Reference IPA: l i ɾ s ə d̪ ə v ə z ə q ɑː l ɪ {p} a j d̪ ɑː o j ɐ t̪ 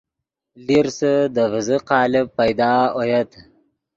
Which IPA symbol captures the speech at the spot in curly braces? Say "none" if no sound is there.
p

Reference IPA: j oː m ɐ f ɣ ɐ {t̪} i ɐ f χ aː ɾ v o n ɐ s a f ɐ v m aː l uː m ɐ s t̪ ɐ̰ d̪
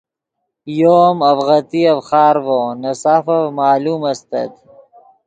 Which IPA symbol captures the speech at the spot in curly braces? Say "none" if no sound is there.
t̪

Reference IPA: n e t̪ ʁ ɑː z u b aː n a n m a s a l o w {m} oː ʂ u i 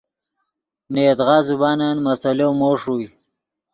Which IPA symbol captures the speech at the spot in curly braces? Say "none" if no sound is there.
m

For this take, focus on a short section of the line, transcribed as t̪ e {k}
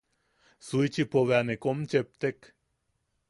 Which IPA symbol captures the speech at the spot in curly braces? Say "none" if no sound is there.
k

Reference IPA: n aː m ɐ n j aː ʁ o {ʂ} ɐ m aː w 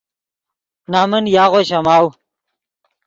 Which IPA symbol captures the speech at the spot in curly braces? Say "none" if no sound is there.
ɕ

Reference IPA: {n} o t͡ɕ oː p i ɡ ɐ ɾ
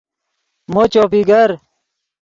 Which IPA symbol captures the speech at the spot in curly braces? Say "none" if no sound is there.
m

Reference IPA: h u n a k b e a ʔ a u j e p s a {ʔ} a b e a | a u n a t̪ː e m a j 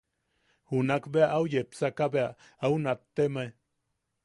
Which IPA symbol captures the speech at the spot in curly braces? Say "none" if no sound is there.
k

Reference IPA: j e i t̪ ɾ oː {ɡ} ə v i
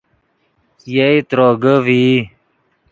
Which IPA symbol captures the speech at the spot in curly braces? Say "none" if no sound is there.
ɡ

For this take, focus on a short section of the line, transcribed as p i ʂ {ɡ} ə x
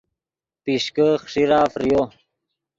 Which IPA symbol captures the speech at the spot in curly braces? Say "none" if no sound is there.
k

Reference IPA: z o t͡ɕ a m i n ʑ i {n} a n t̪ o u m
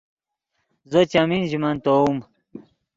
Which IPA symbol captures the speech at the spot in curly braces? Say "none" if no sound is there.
m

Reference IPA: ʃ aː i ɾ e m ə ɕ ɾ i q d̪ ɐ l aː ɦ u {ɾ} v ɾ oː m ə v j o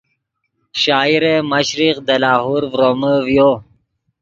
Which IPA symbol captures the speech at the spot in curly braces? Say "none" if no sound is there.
ɾ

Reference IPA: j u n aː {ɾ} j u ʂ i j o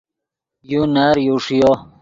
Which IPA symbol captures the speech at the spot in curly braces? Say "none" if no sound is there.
ɾ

